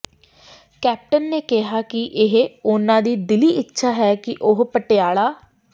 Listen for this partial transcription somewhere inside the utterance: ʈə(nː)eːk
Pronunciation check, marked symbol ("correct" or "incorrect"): correct